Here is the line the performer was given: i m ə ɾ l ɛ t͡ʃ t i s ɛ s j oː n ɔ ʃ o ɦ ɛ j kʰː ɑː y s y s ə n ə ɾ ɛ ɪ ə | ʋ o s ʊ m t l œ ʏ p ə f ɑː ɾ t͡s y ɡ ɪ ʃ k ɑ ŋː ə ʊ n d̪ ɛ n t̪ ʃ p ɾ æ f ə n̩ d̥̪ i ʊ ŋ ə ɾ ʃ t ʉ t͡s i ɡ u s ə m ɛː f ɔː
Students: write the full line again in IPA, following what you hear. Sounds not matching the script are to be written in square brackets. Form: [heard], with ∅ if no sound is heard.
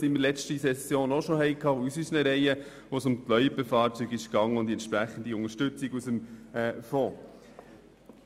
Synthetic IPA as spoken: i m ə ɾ l ɛ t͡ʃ t i s ɛ s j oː n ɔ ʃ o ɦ ɛ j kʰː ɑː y s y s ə n ə ɾ ɛ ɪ ə | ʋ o s ʊ m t l œ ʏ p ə f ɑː ɾ t͡s y ɡ ɪ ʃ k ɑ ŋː ə ʊ n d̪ ɛ n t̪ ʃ p ɾ æ [χ] ə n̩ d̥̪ i ʊ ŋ ə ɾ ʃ t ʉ t͡s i ɡ u s ə m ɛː f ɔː